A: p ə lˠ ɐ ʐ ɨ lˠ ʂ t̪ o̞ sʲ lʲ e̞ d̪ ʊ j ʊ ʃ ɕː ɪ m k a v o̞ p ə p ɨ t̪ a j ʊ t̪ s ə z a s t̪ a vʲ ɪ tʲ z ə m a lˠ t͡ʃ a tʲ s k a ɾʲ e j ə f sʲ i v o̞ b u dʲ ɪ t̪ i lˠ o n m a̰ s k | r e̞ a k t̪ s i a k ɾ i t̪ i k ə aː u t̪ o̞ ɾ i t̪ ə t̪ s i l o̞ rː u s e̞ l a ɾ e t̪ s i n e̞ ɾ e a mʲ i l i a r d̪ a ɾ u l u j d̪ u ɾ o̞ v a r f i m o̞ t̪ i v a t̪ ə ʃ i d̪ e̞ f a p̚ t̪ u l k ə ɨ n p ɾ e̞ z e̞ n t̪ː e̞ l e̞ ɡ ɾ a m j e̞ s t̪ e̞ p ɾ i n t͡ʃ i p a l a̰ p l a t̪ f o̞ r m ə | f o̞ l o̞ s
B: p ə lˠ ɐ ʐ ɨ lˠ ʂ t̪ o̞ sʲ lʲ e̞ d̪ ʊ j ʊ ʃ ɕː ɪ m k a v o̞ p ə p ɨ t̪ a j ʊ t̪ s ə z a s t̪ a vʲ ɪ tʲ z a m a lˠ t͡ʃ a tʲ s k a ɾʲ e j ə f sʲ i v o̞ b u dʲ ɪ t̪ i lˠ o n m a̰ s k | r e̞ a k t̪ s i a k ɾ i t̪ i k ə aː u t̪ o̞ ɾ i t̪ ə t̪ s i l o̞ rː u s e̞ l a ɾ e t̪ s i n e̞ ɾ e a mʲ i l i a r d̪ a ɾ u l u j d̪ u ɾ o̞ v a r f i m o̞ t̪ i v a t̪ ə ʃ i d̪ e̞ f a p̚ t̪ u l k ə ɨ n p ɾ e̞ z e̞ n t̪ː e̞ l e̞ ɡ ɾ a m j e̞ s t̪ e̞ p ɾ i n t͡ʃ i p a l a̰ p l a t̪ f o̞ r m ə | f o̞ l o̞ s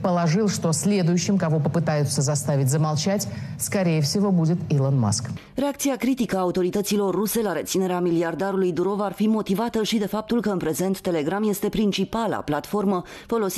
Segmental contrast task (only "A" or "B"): A